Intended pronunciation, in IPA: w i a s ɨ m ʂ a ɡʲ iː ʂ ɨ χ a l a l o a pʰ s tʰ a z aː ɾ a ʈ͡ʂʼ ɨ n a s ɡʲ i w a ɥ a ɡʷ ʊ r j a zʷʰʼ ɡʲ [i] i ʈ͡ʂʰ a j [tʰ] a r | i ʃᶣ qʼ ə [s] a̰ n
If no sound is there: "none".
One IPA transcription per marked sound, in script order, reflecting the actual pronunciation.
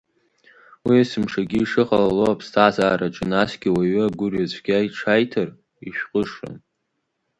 a, tʰ, ʂ

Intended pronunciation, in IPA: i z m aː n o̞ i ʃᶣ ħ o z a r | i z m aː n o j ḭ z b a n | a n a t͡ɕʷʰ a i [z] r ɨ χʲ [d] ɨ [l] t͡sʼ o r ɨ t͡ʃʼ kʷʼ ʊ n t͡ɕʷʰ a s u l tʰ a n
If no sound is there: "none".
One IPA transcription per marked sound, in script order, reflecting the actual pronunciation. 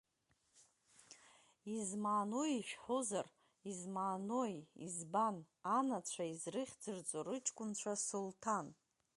z, d͡z, r

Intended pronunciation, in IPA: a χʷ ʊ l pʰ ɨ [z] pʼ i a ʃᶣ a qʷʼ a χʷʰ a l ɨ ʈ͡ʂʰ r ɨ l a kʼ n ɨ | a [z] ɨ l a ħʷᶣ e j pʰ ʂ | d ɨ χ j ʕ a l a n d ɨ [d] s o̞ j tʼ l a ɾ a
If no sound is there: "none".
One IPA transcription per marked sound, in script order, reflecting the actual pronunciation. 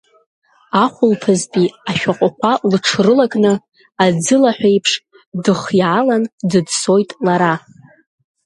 z, d͡z, d

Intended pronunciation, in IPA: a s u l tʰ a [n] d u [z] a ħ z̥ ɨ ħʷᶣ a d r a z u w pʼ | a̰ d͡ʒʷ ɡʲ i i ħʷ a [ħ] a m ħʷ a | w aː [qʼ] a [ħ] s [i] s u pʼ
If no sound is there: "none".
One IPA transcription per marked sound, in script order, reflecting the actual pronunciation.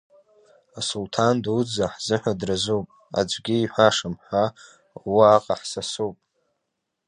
n, d͡z, ʂ, qʼ, ħ, a

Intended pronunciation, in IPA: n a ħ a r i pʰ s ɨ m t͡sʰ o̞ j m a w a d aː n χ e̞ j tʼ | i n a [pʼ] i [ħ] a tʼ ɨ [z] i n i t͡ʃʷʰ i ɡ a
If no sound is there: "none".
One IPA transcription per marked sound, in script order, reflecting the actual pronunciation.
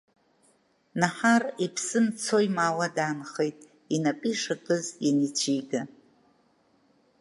pʼ, ʂ, z

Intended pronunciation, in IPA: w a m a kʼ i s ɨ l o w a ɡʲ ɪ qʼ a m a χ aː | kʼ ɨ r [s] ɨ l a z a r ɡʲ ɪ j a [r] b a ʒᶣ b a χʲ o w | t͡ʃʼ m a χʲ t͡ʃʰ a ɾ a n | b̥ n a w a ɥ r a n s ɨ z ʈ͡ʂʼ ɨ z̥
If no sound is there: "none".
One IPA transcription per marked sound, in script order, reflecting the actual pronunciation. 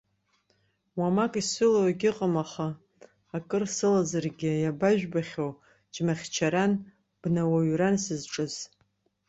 s, none

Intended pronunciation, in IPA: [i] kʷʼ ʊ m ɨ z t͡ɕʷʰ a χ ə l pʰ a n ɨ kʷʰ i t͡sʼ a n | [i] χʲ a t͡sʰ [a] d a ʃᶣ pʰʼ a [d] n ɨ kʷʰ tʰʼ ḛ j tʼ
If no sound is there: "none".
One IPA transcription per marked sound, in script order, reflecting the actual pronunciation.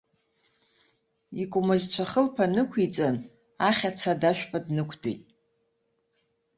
i, a, a, d

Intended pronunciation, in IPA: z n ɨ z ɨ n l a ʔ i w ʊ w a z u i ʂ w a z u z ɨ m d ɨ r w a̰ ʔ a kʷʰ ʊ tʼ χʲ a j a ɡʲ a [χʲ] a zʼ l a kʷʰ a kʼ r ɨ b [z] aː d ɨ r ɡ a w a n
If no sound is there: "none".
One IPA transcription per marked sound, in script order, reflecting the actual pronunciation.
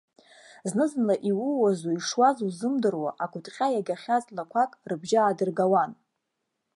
χʲ, ʒ

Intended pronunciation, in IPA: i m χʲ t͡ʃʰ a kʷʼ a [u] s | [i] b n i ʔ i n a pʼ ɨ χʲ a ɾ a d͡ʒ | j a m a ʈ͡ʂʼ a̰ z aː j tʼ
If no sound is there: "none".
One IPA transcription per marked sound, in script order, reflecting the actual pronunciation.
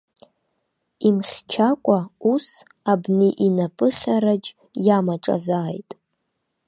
u, a

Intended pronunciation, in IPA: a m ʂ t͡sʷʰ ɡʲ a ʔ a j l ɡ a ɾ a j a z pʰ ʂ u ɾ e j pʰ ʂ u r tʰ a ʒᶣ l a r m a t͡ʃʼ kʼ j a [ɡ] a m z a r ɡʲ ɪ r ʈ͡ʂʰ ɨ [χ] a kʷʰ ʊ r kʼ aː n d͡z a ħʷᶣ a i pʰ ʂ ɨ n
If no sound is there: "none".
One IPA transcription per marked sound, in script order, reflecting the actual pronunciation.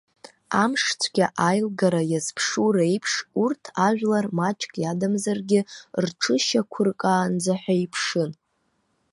d, ʃ

